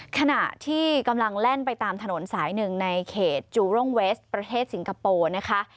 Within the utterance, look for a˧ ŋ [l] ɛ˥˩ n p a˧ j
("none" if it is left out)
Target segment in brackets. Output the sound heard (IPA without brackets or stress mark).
l